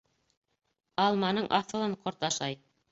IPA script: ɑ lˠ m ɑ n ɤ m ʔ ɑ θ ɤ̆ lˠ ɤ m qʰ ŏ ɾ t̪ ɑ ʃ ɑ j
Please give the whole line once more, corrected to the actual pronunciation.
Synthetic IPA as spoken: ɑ lˠ m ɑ n ɤ ɴ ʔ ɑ θ ɤ̆ lˠ ɤ ɴ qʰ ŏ ɾ t̪ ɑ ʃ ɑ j